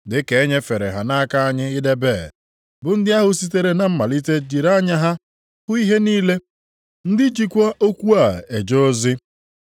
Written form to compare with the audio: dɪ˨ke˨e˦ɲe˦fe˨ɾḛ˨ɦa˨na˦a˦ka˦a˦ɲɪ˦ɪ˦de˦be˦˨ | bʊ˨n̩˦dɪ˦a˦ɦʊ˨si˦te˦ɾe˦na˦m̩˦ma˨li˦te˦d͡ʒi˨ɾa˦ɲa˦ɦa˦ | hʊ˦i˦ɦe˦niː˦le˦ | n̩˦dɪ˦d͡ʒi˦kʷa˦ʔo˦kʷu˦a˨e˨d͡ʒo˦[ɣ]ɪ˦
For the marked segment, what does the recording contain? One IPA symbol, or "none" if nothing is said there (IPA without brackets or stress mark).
z